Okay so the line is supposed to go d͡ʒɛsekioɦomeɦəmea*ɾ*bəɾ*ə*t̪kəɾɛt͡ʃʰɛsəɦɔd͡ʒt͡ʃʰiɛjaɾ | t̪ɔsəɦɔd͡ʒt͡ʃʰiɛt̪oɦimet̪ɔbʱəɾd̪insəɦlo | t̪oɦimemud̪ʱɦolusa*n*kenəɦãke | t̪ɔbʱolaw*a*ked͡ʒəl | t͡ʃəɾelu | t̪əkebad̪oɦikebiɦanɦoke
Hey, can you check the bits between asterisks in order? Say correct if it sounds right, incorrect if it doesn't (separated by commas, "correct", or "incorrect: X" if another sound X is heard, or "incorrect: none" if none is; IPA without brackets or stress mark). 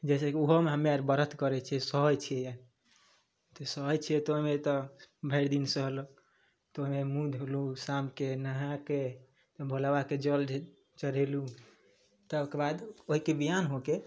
correct, correct, incorrect: m, correct